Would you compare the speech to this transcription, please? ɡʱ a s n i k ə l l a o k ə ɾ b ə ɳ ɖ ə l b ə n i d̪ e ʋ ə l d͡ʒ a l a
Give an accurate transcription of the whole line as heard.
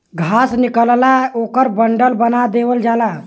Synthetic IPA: ɡʱ a s n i k ə l l a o k ə ɾ b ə ɳ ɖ ə l b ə n a d̪ e ʋ ə l d͡ʒ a l a

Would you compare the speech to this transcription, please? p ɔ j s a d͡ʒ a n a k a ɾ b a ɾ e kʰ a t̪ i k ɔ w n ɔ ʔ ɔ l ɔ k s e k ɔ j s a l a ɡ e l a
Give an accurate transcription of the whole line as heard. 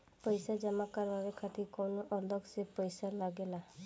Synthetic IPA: p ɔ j s a d͡ʒ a m a k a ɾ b a ɾ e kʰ a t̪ i k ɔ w n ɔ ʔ ɔ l ɔ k s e p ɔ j s a l a ɡ e l a

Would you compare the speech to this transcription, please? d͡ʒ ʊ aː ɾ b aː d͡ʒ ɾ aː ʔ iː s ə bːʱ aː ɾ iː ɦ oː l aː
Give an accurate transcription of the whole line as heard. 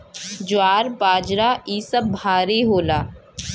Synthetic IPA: d͡ʒ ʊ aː ɾ b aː d͡ʒ ɾ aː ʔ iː s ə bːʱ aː ɾ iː ɦ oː l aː

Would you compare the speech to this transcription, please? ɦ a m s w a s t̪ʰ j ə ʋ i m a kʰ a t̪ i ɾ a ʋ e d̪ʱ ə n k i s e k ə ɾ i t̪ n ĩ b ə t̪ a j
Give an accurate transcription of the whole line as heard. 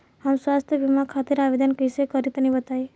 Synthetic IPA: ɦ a m s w a s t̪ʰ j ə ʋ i m a kʰ a t̪ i ɾ a ʋ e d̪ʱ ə n k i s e k ə ɾ i t̪ n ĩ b ə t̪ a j

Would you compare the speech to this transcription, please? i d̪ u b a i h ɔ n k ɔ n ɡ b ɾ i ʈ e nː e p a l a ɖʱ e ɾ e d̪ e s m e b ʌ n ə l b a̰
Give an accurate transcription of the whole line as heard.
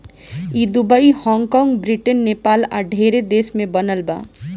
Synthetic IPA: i d̪ u b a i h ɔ ŋ k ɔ ŋ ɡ b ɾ i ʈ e nː e p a l a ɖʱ e ɾ e d̪ e s m e b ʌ n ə l b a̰

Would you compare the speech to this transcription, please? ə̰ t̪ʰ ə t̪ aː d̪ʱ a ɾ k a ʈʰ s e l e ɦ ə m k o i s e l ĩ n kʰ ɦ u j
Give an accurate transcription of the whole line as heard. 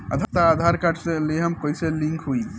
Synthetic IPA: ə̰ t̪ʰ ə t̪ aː d̪ʱ a ɾ k a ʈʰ s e l e ɦ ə m k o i s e l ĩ ŋ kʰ ɦ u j

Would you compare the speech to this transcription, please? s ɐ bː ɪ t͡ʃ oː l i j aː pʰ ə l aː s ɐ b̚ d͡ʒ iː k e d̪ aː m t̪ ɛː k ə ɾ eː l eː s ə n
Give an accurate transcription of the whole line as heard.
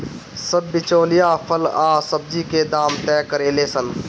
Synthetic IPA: s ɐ bː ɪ t͡ʃ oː l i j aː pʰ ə l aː s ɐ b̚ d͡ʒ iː k e d̪ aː m t̪ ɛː k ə ɾ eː l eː s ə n

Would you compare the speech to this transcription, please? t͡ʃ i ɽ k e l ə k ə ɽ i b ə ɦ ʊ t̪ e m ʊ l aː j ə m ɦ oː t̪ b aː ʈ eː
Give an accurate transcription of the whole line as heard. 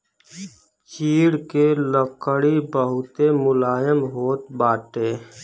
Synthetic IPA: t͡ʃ iː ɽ k e l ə k ə ɽ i b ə ɦ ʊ t̪ e m ʊ l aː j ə m ɦ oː t̪ b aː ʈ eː

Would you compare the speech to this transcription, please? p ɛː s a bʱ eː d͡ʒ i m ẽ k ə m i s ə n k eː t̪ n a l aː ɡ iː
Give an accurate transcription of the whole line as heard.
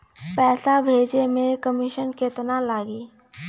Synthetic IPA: p ɛː s a bʱ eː d͡ʒ e m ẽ k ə m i ʃ ə n k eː t̪ n a l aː ɡ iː

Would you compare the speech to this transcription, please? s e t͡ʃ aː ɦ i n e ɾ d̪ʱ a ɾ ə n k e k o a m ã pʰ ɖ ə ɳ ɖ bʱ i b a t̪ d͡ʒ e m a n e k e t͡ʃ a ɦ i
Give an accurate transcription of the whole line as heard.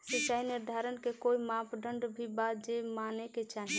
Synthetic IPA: s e t͡ʃ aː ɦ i n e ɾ d̪ʱ a ɾ ə n k e k o i m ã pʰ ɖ ə ɳ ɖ bʱ i b a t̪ d͡ʒ e m a n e k e t͡ʃ a ɦ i

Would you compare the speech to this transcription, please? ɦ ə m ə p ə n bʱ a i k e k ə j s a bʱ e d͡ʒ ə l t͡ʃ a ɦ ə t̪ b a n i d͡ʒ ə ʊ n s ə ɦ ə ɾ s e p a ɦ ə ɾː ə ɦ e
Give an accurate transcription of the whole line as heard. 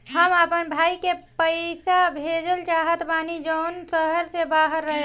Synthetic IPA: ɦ ə m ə p ə n bʱ a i k e p ə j s a bʱ e d͡ʒ ə l t͡ʃ a ɦ ə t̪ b a n i d͡ʒ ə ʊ n s ə ɦ ə ɾ s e b a ɦ ə ɾː ə ɦ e

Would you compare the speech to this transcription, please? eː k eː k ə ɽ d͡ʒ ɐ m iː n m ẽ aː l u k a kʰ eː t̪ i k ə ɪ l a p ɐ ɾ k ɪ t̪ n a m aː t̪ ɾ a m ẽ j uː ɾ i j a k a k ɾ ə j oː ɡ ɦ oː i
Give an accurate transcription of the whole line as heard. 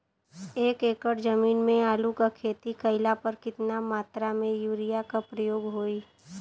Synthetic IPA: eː k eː k ə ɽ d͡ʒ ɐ m iː n m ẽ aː l u k a kʰ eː t̪ i k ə ɪ l a p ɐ ɾ k ɪ t̪ n a m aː t̪ ɾ a m ẽ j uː ɾ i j a k a p ɾ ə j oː ɡ ɦ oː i

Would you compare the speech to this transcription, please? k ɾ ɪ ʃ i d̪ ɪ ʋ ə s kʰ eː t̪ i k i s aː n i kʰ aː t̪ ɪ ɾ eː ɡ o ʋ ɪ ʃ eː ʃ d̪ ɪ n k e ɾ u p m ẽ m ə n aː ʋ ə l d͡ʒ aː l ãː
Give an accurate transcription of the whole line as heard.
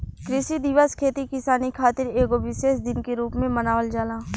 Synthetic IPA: k ɾ ɪ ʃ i d̪ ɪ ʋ ə s kʰ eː t̪ i k ɪ s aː n i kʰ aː t̪ ɪ ɾ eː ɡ o ʋ ɪ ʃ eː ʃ d̪ ɪ n k e ɾ uː p m ẽ m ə n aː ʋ ə l d͡ʒ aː l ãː

